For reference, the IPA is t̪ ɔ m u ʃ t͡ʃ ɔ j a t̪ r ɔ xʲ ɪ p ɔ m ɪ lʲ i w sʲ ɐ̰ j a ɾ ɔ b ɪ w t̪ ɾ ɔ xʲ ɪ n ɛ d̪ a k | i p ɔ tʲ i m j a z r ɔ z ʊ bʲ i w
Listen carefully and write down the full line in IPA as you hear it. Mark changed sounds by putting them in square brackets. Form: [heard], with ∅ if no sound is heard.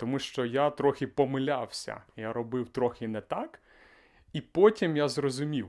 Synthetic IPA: t̪ ɔ m u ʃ t͡ʃ ɔ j a t̪ [ɾ] ɔ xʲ ɪ p ɔ m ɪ lʲ [a] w sʲ ɐ̰ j a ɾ ɔ b ɪ w t̪ ɾ ɔ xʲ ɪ n ɛ [t̪] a k | i p ɔ tʲ i m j a z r ɔ z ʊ [mʲ] i w